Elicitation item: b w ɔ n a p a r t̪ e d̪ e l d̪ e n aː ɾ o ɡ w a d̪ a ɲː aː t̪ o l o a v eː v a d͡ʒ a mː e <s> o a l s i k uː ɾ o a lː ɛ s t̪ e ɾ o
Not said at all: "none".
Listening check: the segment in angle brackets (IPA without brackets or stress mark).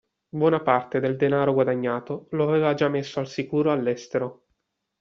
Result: sː